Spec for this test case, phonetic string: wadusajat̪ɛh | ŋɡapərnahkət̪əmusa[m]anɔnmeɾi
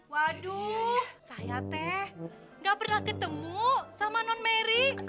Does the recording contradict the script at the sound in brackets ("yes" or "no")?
no